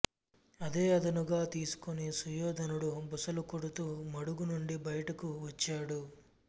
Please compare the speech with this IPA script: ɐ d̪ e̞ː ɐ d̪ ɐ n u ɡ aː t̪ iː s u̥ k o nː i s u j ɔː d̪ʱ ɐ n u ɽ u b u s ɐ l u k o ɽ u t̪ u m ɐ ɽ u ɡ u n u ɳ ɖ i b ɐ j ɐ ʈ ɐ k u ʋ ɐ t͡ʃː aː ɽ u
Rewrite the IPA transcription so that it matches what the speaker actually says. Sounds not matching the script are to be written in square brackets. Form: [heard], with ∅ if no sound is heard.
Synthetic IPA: ɐ d̪ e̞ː ɐ d̪ ɐ n u ɡ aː t̪ iː s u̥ k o [n] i s u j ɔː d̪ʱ ɐ n u ɽ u b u s ɐ l u k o ɽ u t̪ [uː] m ɐ ɽ u ɡ u n u ɳ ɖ i b ɐ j ɐ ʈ ɐ k u ʋ ɐ t͡ʃː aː ɽ u

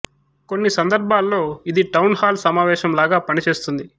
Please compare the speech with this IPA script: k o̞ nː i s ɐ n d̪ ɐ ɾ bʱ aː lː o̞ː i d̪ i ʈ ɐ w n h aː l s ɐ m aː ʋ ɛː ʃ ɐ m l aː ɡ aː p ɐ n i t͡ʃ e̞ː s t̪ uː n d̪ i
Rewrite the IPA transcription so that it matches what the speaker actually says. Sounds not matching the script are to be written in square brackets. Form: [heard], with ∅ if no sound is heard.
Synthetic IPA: k o̞ nː i s ɐ n d̪ ɐ ɾ bʱ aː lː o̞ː i d̪ i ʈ ɐ w n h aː l s ɐ m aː ʋ ɛː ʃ ɐ m l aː ɡ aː p ɐ n i t͡ʃ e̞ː s t̪ [u] n d̪ i

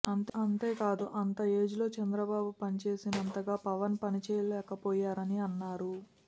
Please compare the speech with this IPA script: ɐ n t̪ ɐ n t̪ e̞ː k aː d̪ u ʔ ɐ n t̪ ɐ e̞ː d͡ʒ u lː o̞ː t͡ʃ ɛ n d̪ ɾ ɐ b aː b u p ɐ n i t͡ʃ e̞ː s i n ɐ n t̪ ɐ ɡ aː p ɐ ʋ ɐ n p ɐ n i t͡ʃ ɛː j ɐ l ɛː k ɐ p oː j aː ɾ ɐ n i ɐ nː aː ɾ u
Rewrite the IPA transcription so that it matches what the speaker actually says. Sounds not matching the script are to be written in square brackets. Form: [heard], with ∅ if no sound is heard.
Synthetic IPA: ɐ n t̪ ɐ n t̪ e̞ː k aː d̪ u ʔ ɐ n t̪ ɐ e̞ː d͡ʒ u [l] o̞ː t͡ʃ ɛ n d̪ ɾ ɐ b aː b u p ɐ n i t͡ʃ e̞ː s i n ɐ n t̪ ɐ ɡ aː p ɐ ʋ ɐ n p ɐ n i t͡ʃ ɛː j ɐ l ɛː k ɐ p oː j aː ɾ ɐ n i ɐ nː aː ɾ u

